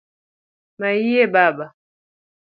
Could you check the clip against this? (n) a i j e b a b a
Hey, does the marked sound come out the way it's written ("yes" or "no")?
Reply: no